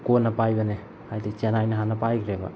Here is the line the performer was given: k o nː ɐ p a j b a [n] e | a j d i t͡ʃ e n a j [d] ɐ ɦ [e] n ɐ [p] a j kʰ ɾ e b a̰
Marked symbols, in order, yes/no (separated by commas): yes, no, no, yes